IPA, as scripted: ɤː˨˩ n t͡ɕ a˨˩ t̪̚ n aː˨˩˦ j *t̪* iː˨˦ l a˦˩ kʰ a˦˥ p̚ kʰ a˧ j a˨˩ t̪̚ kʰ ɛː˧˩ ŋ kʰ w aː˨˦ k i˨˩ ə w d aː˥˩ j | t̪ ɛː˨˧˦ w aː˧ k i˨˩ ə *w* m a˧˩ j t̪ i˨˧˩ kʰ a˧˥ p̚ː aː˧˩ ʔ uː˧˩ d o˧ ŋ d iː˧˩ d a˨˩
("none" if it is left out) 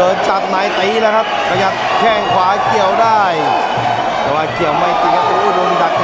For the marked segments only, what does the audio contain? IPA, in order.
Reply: t̪, w

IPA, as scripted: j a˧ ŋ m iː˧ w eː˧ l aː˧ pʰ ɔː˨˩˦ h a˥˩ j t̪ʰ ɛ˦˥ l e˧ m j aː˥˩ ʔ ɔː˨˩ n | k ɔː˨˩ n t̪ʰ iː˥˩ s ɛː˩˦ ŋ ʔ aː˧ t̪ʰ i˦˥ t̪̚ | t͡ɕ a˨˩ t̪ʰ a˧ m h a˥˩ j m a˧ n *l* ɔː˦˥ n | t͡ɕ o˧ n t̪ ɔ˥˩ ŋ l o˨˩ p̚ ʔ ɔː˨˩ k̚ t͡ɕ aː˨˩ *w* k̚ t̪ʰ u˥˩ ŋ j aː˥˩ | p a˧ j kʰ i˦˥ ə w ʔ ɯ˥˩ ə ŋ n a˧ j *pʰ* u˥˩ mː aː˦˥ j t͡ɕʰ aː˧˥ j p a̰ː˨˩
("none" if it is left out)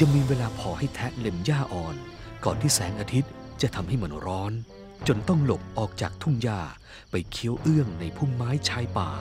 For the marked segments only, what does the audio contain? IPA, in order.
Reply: ɾ, none, pʰ

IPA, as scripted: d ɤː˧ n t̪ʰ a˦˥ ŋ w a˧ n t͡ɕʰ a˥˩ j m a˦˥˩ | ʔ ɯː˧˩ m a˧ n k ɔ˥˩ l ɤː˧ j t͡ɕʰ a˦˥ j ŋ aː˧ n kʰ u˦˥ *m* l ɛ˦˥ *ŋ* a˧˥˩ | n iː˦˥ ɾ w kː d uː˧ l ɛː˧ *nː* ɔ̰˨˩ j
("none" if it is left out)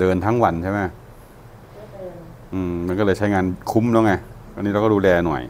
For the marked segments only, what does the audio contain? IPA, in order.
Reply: m, ŋ, n

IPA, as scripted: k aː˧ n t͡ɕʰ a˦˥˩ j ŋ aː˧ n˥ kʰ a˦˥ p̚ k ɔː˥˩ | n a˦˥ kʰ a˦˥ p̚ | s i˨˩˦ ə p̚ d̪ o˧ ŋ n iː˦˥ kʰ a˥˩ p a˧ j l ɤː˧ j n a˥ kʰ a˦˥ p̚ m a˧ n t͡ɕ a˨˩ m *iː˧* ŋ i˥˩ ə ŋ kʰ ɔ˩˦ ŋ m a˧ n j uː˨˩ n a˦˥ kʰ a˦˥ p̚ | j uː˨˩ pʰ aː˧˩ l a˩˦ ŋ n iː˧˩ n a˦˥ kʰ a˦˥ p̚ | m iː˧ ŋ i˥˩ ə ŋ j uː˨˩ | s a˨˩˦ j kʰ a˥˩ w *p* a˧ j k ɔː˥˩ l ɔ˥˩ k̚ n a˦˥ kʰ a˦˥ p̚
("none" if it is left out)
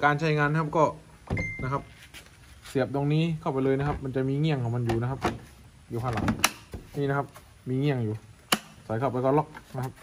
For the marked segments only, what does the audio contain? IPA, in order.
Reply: iː˧, p

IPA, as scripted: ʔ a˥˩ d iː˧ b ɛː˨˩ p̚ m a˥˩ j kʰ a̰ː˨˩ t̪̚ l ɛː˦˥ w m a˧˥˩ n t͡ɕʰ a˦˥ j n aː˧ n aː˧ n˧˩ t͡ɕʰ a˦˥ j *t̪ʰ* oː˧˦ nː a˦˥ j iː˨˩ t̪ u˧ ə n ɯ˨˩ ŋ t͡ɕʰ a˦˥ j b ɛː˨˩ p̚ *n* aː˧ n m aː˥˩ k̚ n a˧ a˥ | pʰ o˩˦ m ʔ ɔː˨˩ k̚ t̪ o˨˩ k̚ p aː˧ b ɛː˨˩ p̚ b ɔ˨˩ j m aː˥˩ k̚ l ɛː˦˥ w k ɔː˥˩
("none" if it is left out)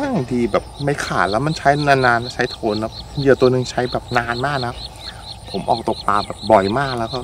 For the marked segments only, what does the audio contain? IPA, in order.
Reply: t̪ʰ, n

